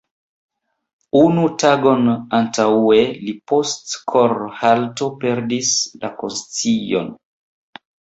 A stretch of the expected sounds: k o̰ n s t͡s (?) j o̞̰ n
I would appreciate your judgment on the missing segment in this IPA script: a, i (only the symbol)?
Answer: i